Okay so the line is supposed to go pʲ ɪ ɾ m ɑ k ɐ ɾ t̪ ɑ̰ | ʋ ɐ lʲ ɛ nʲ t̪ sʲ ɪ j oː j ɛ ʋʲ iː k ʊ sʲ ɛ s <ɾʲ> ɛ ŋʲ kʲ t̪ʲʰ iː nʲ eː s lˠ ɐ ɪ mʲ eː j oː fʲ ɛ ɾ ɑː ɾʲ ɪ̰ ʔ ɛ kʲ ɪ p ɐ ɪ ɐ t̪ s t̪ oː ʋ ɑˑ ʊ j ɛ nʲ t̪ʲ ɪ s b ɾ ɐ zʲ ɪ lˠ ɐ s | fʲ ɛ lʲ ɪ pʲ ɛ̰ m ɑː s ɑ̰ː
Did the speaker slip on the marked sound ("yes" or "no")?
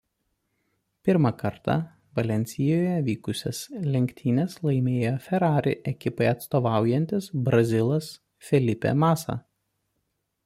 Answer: yes